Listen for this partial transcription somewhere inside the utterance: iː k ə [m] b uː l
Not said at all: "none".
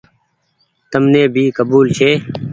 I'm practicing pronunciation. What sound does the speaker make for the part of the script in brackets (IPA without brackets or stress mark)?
none